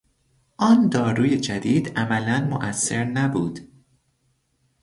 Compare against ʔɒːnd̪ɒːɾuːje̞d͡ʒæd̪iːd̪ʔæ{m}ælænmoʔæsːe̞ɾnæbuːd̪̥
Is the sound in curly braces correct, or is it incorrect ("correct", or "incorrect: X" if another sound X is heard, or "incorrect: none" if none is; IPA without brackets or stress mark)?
correct